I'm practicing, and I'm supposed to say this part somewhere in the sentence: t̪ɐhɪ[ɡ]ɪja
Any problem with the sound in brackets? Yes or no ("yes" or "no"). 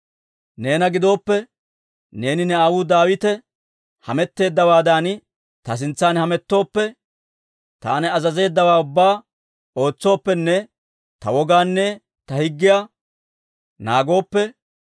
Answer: yes